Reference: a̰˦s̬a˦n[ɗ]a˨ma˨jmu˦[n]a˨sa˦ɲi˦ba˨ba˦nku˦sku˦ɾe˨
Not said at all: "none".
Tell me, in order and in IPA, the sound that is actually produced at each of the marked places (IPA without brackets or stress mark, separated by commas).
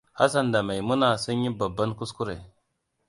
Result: d, n